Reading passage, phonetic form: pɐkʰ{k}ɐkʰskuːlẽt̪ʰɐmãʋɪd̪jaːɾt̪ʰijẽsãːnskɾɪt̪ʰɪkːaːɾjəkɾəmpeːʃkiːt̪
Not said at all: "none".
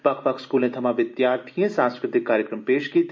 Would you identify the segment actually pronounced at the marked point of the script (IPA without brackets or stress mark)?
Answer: p